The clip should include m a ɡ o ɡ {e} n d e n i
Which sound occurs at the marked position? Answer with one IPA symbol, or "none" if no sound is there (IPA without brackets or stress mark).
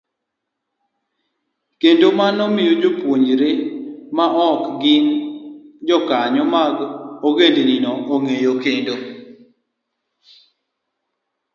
e